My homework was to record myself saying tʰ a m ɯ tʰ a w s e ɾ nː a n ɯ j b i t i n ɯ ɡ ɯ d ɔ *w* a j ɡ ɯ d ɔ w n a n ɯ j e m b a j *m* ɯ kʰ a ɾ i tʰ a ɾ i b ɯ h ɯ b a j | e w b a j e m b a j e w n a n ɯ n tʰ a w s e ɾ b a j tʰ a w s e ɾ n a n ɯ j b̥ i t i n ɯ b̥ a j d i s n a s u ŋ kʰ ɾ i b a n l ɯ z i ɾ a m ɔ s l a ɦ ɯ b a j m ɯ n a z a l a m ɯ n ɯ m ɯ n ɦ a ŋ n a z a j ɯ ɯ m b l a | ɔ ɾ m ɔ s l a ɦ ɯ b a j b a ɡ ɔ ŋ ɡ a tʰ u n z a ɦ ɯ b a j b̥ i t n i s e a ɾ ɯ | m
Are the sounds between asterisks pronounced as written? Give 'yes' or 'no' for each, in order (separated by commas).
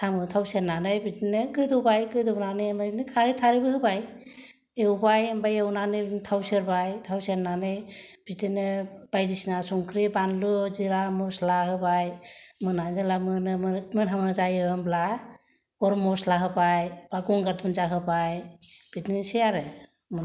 no, no